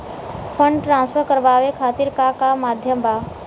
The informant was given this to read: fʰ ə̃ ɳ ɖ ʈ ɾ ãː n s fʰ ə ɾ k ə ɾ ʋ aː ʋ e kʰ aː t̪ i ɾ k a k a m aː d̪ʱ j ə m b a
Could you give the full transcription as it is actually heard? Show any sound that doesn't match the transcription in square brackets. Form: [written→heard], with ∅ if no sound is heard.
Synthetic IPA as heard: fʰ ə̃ ɳ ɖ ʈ ɾ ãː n s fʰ ə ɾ k ə ɾ ʋ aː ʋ e kʰ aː t̪ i ɾ k a k a m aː d̪ʱ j ə m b a